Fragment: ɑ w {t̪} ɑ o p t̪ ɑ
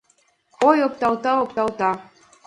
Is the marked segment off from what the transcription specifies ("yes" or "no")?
no